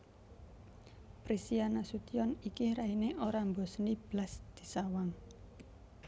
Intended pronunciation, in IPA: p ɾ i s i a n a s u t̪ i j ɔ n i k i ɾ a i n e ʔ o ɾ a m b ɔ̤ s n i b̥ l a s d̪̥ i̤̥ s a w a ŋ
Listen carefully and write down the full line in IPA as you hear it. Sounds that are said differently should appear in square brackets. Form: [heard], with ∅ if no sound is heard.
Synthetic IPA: p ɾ i s i a n a s u t̪ i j ɔ n i k i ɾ a i n e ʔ o ɾ a m b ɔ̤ s n i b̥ l a s d̪̥ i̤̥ s a w a ŋ